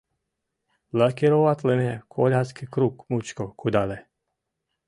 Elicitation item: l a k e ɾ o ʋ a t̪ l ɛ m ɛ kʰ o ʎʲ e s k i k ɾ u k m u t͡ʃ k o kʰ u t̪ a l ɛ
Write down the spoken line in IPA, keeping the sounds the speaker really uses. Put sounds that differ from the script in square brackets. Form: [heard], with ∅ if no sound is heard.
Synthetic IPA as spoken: l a k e ɾ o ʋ a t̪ l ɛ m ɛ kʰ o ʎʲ [a] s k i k ɾ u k m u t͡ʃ k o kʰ u [d̪] a l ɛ